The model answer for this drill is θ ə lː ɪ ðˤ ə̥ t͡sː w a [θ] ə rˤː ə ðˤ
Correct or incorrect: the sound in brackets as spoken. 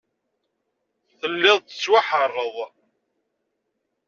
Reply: incorrect: ħ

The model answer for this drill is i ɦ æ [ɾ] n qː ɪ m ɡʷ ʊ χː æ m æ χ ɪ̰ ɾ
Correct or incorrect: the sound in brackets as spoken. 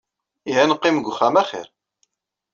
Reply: incorrect: none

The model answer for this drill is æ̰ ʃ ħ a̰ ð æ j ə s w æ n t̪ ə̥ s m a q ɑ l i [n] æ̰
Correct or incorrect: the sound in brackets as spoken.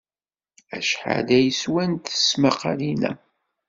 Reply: correct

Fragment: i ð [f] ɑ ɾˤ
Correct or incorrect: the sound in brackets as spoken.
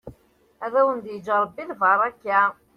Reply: incorrect: v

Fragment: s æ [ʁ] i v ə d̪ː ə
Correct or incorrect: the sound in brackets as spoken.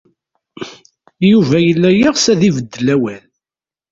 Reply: incorrect: ð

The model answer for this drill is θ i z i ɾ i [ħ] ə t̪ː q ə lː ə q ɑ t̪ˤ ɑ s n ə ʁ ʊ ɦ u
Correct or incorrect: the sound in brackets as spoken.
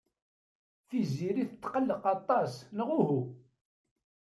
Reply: incorrect: θ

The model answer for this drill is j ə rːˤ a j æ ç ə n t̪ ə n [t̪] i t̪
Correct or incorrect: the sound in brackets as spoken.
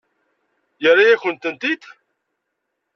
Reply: correct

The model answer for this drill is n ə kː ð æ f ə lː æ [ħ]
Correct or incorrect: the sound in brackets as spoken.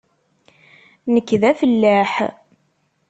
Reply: correct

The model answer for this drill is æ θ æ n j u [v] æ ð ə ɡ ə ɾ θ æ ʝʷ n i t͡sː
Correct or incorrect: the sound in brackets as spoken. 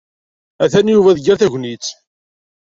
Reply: correct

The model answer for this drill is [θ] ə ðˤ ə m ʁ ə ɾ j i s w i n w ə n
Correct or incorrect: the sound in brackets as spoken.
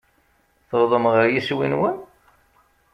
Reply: correct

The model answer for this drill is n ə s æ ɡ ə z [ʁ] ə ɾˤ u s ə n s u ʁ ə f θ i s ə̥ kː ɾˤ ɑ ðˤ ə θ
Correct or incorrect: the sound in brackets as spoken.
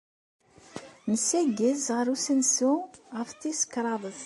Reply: correct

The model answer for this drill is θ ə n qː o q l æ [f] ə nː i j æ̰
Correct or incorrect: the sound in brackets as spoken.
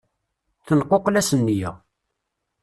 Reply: incorrect: s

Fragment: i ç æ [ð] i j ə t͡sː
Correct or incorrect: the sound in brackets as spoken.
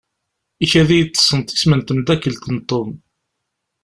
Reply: correct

